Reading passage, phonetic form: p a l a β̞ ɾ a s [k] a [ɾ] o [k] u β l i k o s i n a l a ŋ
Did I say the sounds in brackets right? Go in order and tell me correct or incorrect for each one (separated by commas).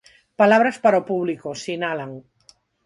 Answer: incorrect, correct, incorrect